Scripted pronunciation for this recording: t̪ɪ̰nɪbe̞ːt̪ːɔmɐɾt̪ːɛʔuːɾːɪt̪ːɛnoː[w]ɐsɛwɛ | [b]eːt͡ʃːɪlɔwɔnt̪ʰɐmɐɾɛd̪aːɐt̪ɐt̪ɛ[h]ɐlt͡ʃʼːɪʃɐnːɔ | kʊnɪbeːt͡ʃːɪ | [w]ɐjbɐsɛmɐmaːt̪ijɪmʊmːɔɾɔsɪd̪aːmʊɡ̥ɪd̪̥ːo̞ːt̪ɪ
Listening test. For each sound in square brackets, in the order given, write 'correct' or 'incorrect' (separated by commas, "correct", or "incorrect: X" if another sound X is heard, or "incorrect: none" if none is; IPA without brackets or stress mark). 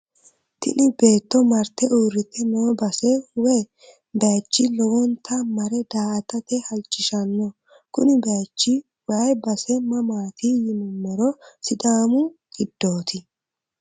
incorrect: b, correct, correct, correct